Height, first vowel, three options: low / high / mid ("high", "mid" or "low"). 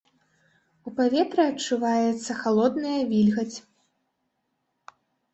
high